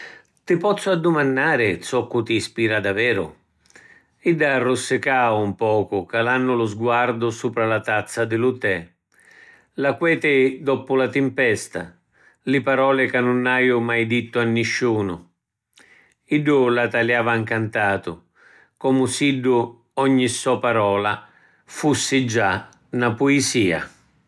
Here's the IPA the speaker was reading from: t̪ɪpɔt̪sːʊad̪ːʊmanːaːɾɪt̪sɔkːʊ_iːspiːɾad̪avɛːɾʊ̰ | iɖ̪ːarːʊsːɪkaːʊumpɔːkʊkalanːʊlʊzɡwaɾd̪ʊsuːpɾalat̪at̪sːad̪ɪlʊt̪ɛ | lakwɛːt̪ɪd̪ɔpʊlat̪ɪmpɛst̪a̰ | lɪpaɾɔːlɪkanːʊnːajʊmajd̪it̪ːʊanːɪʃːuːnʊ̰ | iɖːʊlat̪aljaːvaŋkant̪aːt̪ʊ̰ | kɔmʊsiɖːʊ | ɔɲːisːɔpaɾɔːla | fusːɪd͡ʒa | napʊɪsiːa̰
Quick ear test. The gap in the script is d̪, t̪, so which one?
t̪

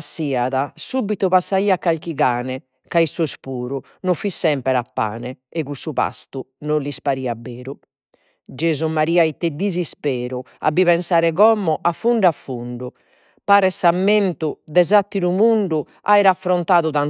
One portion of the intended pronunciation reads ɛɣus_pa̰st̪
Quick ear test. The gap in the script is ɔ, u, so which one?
u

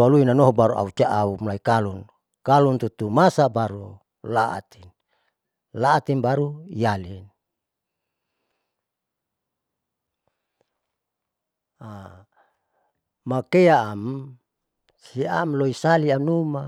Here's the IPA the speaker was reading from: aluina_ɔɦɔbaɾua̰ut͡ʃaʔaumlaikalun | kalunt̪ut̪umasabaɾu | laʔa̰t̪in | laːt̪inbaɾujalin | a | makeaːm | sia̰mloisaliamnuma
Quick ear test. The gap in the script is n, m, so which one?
n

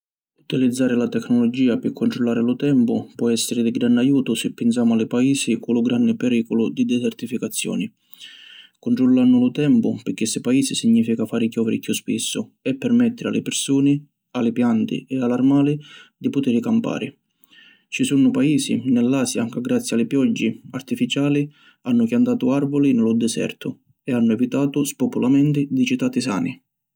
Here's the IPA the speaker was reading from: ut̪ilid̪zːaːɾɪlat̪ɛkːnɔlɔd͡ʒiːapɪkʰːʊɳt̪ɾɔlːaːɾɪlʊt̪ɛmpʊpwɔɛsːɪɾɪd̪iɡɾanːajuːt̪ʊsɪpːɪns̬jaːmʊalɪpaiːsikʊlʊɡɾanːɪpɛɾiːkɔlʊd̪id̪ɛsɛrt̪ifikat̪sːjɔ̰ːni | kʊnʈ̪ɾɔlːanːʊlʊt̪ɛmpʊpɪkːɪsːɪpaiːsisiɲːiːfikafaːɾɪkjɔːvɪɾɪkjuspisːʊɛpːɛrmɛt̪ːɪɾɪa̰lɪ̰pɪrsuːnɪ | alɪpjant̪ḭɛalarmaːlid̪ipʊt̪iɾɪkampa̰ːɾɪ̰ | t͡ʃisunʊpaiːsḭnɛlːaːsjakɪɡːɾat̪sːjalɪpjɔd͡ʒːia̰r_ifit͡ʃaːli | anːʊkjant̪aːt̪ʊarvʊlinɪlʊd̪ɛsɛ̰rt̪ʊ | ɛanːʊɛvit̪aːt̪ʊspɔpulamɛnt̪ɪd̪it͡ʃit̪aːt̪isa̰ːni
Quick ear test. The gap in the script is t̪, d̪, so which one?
t̪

